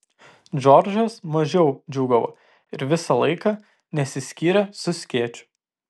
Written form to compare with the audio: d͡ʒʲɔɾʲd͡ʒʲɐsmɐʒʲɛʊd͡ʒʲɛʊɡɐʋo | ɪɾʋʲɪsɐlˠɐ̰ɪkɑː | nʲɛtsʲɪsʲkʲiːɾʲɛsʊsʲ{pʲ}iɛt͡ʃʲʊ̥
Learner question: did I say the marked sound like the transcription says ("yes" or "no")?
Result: no